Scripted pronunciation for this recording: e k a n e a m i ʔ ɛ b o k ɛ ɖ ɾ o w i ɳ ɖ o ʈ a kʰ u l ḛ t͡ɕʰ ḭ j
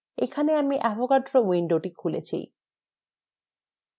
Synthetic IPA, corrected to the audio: e kʰ a n e a m i ʔ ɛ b o k a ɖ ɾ o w i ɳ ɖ o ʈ i kʰ u l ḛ t͡ɕʰ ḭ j